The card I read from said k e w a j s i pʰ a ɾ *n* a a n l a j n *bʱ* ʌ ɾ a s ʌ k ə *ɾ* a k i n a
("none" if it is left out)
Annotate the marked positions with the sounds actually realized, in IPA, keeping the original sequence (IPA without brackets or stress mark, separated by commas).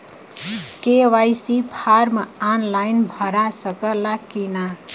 m, bʱ, l